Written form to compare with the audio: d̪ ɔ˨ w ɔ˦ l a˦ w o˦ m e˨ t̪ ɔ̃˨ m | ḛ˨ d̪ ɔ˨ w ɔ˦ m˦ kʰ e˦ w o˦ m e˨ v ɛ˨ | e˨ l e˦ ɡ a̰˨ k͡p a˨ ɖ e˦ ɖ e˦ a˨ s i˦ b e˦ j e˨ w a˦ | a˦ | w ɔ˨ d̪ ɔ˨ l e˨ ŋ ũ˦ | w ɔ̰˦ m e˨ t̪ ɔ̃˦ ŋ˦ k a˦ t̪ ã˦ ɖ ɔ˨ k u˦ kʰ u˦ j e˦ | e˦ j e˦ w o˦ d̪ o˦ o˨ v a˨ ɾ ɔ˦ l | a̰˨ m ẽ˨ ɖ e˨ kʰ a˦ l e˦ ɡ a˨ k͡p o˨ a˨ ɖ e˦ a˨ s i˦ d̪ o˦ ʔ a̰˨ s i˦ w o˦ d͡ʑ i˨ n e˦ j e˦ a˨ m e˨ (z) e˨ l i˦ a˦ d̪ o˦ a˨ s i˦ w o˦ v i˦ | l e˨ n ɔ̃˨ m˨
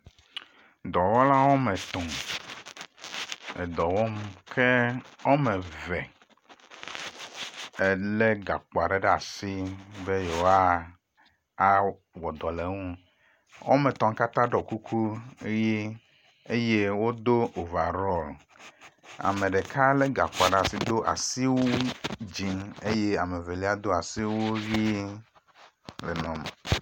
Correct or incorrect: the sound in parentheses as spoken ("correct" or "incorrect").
incorrect